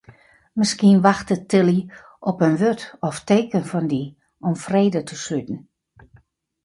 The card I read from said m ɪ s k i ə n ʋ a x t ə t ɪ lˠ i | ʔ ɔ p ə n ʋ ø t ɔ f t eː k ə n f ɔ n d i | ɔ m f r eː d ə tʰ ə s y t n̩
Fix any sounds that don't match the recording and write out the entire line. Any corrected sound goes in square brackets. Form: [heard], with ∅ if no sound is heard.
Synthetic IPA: m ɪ s k i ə n ʋ a x t ə t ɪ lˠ i | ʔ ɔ p ə n ʋ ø t ɔ f t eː k ə n f ɔ n d i | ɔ m f r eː d ə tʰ ə s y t n̩